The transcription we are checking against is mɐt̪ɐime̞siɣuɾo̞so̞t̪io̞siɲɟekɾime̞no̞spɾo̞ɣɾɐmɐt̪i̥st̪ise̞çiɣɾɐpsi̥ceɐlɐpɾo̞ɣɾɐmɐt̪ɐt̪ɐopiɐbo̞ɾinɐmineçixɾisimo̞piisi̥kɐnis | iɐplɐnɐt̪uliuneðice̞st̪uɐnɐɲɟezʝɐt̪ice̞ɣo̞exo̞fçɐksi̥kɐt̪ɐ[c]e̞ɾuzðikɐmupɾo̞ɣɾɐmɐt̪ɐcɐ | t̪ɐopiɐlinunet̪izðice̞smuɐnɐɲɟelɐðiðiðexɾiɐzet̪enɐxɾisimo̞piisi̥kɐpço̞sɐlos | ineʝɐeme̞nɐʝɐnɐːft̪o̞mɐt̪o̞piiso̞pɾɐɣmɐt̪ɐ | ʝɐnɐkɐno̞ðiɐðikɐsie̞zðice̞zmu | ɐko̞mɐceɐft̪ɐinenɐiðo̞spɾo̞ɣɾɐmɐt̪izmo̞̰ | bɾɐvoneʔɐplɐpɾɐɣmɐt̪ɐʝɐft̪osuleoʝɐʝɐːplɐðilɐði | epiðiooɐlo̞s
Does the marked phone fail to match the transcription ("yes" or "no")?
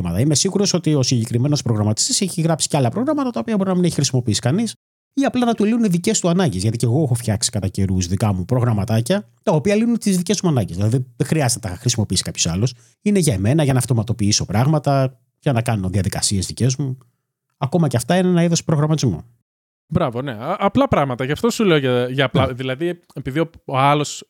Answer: no